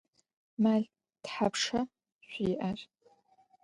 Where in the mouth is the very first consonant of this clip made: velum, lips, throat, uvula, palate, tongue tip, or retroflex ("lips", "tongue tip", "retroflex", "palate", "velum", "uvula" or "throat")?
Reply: lips